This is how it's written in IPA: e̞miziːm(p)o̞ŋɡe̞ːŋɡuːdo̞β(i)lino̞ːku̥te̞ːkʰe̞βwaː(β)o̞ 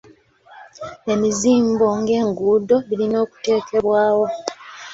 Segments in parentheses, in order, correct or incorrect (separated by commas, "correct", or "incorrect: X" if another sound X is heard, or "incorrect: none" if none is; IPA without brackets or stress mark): incorrect: b, correct, incorrect: w